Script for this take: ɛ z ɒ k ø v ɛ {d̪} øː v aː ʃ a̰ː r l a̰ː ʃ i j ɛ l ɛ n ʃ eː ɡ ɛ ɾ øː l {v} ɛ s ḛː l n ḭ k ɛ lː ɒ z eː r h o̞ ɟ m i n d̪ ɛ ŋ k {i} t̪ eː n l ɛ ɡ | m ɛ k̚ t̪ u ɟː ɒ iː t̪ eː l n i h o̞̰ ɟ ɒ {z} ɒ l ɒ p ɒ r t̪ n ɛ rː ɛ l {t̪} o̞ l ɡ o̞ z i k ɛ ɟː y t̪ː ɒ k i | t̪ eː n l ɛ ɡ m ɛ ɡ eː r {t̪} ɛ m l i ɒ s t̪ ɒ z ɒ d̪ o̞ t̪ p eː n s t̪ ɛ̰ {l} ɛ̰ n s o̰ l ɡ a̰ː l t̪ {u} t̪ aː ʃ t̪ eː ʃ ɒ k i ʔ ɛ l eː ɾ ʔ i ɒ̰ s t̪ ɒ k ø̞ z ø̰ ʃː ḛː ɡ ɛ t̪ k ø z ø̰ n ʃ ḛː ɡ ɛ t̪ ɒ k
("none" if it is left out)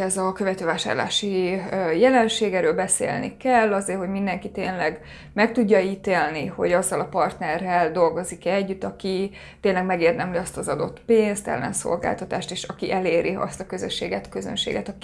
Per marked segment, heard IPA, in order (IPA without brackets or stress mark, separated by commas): t̪, b, i, zː, d̪, d̪, lː, ɒ